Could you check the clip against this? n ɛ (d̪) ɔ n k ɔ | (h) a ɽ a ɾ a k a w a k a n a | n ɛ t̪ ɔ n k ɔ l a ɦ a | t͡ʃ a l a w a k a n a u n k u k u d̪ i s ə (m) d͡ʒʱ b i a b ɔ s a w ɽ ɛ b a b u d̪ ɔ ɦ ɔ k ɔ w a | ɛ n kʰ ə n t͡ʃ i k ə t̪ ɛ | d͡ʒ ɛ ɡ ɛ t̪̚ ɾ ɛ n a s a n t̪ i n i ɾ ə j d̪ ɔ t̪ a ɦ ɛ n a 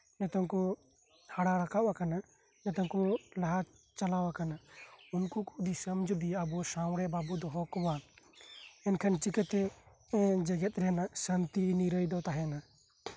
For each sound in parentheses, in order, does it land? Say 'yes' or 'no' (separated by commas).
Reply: no, yes, yes